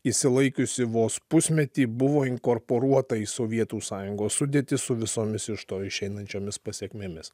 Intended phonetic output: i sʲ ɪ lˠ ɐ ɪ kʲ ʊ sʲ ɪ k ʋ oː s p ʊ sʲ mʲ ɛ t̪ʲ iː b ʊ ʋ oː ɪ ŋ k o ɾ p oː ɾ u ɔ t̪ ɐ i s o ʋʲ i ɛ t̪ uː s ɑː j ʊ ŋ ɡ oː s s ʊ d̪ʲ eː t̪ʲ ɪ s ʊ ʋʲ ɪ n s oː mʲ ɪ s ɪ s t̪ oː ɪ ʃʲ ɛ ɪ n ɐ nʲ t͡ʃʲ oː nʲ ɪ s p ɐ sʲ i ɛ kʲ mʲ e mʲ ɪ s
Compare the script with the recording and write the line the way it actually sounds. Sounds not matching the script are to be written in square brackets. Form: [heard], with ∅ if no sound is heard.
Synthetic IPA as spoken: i sʲ ɪ lˠ ɐ ɪ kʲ ʊ sʲ ɪ [∅] ʋ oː s p ʊ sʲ mʲ ɛ t̪ʲ iː b ʊ ʋ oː ɪ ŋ k o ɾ p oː ɾ u ɔ t̪ ɐ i s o ʋʲ i ɛ t̪ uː s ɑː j ʊ ŋ ɡ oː s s ʊ d̪ʲ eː t̪ʲ ɪ s ʊ ʋʲ ɪ [∅] s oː mʲ ɪ s ɪ [ʃ] t̪ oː ɪ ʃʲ ɛ ɪ n ɐ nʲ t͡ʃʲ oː [mʲ] ɪ s p ɐ sʲ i ɛ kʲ mʲ e mʲ ɪ s